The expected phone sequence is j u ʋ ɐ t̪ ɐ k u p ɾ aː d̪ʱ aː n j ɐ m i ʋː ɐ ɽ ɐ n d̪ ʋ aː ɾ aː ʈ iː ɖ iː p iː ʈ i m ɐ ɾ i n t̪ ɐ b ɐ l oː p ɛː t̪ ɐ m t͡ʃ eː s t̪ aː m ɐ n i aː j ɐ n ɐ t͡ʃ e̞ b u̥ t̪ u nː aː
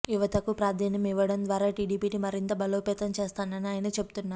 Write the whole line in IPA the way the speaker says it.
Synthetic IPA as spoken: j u ʋ ɐ t̪ ɐ k u p ɾ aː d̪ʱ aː n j ɐ m i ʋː ɐ ɽ ɐ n d̪ ʋ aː ɾ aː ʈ iː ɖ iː p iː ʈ i m ɐ ɾ i n t̪ ɐ b ɐ l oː p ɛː t̪ ɐ m t͡ʃ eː s t̪ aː n ɐ n i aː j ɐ n ɐ t͡ʃ e̞ b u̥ t̪ u nː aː